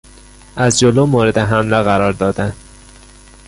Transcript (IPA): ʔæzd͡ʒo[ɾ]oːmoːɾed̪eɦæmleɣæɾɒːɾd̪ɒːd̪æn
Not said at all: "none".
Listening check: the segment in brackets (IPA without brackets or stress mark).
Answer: l